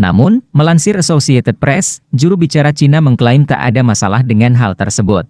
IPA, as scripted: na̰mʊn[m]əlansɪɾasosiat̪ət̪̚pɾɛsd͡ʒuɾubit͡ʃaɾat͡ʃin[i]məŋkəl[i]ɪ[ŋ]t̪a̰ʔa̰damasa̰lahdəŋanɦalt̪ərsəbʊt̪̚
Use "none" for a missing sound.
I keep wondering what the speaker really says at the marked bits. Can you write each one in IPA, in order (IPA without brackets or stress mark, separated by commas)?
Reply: m, a, a, m